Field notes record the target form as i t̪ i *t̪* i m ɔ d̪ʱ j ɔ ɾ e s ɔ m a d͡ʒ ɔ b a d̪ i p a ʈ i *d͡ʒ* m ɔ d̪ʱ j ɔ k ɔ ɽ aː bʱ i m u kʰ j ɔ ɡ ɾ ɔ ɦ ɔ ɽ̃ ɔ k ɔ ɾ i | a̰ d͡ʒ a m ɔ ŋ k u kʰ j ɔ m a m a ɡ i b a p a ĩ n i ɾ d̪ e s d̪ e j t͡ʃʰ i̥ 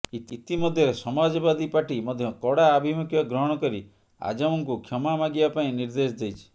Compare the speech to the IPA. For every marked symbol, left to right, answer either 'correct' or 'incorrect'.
correct, incorrect

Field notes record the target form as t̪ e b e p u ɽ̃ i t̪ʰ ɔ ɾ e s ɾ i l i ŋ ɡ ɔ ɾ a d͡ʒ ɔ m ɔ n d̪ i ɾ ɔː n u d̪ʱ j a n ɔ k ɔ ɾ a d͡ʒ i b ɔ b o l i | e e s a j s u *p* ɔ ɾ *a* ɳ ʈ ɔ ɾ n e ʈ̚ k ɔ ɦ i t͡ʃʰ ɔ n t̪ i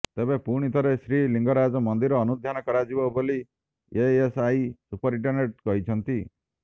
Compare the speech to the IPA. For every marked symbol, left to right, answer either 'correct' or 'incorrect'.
correct, incorrect

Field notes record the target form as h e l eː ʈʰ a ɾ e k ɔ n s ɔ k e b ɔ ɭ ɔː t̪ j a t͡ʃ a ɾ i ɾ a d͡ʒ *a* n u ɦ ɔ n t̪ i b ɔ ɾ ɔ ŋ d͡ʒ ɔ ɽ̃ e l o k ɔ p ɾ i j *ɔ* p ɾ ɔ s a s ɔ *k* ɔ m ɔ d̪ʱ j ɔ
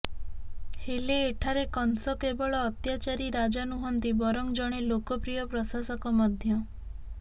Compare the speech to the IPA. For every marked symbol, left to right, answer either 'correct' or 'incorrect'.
correct, correct, correct

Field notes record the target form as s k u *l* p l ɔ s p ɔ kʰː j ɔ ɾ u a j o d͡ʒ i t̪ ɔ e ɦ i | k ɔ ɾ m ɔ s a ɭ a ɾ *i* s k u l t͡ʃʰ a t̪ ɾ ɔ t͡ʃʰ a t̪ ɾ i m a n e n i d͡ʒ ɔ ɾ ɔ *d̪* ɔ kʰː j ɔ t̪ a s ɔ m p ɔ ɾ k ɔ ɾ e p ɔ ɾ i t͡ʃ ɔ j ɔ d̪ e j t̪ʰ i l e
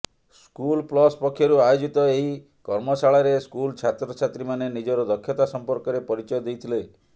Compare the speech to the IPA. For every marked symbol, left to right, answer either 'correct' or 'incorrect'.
correct, incorrect, correct

